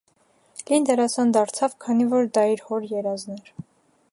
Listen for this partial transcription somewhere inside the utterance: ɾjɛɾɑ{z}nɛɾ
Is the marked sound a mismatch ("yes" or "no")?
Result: no